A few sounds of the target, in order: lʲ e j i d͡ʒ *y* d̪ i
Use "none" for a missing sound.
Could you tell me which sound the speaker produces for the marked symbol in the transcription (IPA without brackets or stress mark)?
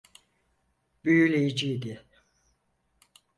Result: i